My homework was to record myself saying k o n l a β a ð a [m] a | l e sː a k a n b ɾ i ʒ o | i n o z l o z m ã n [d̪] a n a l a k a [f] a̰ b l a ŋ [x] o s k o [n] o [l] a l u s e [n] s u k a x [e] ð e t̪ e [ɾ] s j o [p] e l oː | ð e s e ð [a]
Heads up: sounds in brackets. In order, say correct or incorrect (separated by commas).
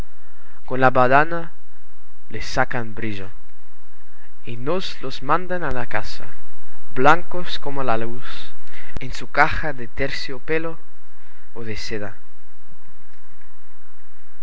incorrect, correct, incorrect, incorrect, incorrect, correct, correct, incorrect, correct, correct, correct